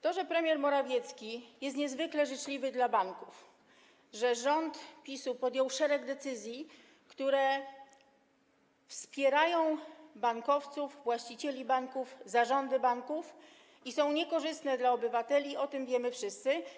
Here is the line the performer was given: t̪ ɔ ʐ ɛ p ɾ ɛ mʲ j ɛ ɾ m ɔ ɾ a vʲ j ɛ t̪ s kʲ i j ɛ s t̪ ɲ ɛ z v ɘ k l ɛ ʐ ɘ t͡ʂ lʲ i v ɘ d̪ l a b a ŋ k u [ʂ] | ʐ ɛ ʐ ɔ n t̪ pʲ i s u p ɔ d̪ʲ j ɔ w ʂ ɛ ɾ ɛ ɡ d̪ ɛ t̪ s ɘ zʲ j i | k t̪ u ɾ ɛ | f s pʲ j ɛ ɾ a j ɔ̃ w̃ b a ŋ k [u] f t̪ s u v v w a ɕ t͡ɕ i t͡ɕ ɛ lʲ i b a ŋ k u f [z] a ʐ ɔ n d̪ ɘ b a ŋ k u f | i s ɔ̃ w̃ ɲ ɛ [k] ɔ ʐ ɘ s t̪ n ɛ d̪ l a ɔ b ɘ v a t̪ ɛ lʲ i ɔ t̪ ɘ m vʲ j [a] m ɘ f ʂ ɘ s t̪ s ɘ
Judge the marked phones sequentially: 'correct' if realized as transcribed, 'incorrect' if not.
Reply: incorrect: f, incorrect: ɔ, correct, correct, incorrect: ɛ

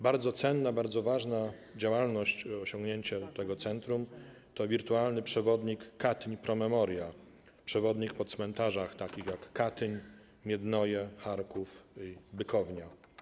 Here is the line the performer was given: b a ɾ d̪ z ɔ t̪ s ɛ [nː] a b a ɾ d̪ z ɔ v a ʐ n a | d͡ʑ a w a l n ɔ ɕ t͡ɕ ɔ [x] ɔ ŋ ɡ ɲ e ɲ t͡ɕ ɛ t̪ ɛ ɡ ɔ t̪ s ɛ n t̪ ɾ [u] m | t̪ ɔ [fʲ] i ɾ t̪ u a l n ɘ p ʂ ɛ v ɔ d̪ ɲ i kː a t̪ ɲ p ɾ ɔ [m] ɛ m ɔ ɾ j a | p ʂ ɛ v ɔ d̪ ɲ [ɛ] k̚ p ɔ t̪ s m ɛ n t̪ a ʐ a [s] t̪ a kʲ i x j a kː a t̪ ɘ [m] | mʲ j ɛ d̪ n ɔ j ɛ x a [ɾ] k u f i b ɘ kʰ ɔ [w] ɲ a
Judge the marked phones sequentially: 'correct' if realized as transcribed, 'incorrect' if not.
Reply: correct, incorrect: ɕ, correct, incorrect: vʲ, correct, incorrect: i, incorrect: x, incorrect: ɲ, correct, incorrect: v

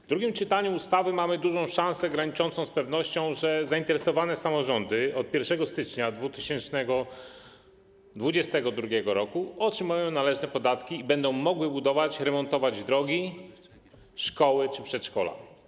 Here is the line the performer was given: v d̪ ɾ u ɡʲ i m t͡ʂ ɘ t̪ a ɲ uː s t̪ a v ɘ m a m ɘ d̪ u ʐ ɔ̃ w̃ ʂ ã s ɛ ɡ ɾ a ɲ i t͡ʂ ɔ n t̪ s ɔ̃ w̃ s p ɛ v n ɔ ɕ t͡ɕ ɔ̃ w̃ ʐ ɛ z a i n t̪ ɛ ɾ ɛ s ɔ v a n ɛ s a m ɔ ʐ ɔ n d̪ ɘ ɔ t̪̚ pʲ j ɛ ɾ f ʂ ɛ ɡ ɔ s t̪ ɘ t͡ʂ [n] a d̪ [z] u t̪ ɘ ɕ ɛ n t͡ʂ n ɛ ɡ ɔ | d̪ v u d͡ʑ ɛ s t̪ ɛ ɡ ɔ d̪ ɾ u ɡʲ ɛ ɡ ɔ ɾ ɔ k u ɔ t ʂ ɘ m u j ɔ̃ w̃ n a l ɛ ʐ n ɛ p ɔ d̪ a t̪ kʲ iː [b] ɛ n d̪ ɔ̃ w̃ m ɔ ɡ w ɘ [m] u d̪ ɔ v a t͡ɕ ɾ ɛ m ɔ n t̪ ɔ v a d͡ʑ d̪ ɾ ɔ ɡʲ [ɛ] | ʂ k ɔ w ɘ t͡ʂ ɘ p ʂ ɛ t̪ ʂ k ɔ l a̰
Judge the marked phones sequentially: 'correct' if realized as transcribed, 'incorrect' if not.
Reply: incorrect: ɲ, incorrect: v, correct, incorrect: b, incorrect: i

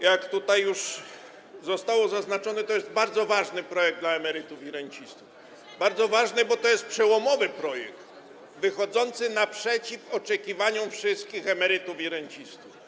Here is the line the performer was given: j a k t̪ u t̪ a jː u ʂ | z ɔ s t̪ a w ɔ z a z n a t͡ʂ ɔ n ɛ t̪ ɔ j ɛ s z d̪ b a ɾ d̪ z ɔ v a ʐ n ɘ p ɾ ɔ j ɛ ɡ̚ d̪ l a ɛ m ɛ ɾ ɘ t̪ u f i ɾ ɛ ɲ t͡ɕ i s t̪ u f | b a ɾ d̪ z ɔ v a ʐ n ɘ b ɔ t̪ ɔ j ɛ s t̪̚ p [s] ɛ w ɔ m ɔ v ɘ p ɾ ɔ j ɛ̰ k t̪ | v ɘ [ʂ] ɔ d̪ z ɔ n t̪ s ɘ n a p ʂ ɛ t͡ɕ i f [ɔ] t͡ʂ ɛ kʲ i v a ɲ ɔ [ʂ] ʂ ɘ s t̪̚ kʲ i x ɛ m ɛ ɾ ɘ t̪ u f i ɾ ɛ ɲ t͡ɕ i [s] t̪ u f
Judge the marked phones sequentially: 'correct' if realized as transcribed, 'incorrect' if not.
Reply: incorrect: ʂ, incorrect: x, correct, incorrect: f, correct

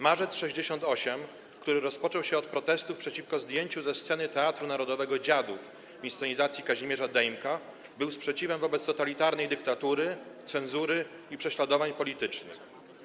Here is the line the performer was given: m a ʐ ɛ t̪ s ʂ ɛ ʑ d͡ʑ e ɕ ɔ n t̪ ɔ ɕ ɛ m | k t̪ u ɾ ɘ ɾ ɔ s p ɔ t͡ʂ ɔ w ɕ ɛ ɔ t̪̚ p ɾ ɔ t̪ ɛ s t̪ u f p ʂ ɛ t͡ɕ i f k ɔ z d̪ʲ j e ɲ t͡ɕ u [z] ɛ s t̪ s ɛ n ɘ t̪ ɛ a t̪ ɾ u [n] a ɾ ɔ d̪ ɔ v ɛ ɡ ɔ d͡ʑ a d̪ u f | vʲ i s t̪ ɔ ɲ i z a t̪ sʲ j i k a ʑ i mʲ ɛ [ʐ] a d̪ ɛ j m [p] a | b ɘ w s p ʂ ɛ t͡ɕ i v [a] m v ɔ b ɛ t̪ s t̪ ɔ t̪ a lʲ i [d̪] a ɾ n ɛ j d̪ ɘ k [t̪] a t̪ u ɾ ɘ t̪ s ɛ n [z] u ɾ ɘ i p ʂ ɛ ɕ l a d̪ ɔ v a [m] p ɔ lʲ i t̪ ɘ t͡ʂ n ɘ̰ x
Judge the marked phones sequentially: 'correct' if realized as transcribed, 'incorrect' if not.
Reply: correct, correct, correct, incorrect: k, incorrect: ɛ, incorrect: t̪, correct, correct, incorrect: ɲ

